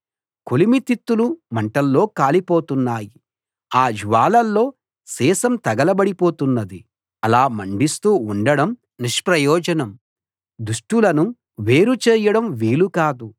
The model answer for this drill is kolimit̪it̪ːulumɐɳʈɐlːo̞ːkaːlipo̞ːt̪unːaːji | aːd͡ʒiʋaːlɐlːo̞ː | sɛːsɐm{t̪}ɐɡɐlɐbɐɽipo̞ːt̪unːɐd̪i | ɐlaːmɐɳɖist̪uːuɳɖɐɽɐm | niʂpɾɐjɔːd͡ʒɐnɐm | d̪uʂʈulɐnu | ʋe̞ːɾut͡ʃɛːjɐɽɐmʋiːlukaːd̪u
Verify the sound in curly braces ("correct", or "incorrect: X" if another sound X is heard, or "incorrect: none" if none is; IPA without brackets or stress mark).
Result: correct